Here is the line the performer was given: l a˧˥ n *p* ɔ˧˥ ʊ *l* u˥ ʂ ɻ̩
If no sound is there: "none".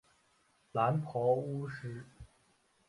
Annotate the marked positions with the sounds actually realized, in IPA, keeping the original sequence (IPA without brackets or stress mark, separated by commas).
pʰ, none